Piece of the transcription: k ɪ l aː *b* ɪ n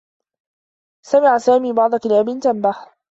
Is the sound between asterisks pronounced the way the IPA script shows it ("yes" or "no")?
yes